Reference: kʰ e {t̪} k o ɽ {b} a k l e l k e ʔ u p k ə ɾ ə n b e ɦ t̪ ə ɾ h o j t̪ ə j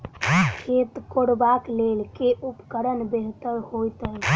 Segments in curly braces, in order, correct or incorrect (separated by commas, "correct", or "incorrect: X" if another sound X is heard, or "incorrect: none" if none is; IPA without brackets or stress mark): correct, correct